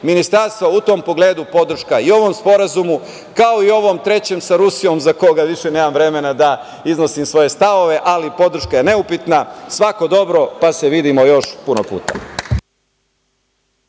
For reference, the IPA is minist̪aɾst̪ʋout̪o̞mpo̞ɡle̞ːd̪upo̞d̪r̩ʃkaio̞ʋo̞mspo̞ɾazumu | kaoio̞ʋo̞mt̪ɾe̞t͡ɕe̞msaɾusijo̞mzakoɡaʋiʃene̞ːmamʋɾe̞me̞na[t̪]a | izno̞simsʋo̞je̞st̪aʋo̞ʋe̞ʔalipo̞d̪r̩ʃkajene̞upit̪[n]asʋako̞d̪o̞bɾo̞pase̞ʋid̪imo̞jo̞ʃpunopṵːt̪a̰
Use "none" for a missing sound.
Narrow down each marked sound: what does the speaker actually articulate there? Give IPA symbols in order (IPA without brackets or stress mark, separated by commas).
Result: d̪, n